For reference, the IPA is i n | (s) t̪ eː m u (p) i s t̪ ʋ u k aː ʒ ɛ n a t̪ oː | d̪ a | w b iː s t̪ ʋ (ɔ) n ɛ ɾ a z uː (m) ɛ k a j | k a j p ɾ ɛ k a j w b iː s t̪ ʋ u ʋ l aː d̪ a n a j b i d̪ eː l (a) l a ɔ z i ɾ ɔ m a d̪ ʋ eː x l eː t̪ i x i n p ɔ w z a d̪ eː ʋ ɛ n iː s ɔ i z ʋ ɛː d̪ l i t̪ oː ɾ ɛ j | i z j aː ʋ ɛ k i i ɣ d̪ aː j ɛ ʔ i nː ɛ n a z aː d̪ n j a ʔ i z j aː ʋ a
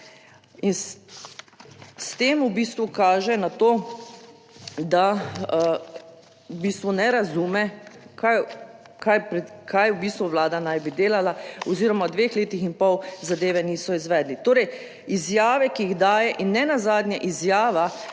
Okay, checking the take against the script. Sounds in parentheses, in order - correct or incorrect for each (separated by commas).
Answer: correct, incorrect, incorrect, correct, correct